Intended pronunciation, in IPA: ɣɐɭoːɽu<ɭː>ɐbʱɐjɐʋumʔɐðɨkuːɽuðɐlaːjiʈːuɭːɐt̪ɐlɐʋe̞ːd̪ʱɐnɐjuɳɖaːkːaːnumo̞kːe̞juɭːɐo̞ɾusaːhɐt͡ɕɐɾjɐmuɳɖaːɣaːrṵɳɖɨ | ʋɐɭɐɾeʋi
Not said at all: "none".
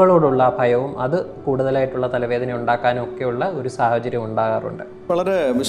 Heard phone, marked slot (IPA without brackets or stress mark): ɭː